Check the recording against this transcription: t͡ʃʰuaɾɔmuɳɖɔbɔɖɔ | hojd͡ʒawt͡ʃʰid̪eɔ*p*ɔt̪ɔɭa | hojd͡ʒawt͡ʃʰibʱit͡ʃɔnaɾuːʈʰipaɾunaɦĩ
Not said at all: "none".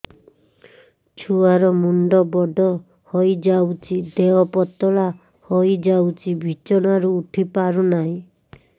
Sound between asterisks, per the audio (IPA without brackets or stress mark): p